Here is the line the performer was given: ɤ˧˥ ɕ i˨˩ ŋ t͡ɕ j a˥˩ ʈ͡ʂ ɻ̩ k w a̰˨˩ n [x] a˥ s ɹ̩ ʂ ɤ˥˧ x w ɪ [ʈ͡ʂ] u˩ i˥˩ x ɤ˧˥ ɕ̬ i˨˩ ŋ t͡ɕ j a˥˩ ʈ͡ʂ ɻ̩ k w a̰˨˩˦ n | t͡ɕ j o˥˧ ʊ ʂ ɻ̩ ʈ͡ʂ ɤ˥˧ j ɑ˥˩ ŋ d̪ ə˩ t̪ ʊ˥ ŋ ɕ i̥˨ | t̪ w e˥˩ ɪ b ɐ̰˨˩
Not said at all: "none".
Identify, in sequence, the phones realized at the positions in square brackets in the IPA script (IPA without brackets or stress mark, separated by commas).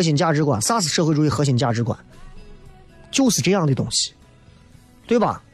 s, ʈ͡ʂ